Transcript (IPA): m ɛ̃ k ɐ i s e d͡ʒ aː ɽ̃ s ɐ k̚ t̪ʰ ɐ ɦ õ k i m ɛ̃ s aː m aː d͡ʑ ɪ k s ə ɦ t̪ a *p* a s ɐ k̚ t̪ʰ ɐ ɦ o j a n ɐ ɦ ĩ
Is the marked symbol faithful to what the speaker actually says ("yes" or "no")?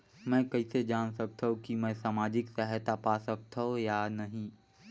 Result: yes